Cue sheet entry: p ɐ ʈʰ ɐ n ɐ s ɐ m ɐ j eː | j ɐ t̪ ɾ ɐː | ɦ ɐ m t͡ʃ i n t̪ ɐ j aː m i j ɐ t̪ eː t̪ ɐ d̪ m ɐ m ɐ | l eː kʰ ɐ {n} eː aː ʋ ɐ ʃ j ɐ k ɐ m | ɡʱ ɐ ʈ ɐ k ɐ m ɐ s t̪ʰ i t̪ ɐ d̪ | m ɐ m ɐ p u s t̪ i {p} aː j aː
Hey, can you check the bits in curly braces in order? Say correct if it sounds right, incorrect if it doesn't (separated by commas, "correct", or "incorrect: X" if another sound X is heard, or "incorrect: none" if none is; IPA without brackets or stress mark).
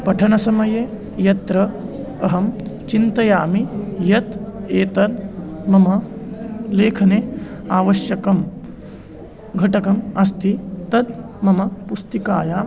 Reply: correct, incorrect: k